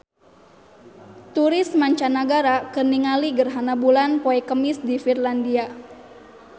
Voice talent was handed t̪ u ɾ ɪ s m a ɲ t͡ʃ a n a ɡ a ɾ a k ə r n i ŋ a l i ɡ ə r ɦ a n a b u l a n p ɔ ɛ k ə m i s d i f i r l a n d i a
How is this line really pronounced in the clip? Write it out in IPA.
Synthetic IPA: t̪ u ɾ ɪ s m a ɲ t͡ʃ a n a ɡ a ɾ a k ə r n i ŋ a l i ɡ ə r ɦ a n a b u l a n p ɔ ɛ k ə m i s d i f i r l a n d i a